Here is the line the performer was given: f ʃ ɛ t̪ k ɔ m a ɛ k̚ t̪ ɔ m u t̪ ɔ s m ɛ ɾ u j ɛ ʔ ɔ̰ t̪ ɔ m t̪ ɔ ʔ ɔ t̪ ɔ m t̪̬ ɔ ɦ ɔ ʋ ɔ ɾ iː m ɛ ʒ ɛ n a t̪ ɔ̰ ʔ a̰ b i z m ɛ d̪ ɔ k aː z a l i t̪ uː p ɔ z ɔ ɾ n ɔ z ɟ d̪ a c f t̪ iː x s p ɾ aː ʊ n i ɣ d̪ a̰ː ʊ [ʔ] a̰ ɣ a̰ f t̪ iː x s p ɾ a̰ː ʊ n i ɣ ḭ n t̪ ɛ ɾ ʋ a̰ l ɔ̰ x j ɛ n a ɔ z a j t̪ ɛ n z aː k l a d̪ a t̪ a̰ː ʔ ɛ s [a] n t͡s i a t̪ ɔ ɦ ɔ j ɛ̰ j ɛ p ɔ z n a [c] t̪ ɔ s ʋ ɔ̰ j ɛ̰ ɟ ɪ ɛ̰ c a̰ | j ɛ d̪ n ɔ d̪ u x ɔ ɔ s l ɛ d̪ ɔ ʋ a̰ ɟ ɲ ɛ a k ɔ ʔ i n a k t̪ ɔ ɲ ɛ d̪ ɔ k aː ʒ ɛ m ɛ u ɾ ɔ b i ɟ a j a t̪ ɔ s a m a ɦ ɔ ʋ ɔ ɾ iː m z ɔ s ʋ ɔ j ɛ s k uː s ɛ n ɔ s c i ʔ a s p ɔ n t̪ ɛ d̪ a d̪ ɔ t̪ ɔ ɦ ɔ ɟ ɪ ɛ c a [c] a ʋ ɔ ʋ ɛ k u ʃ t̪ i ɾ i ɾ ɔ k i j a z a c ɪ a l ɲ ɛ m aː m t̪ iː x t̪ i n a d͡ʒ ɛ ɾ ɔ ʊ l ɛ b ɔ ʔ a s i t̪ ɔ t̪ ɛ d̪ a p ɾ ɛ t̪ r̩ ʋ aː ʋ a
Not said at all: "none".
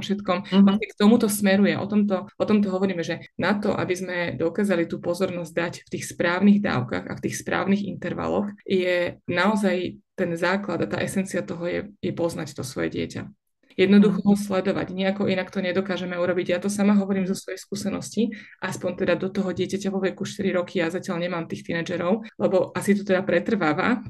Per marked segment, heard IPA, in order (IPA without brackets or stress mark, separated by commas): k, ɛ, c, c